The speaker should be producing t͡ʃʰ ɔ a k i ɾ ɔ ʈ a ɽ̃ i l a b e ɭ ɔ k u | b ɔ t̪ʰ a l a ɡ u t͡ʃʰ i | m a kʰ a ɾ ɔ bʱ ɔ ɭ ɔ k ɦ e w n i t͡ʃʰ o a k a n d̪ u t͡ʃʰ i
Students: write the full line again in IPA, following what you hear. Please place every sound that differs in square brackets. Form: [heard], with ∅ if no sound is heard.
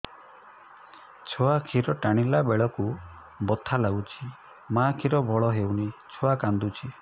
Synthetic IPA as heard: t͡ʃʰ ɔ a [kʰ] i ɾ ɔ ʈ a ɽ̃ i l a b e ɭ ɔ k u | b ɔ t̪ʰ a l a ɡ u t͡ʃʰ i | m a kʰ [i] ɾ ɔ bʱ ɔ ɭ ɔ [∅] ɦ e w n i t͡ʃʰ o a k a n d̪ u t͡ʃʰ i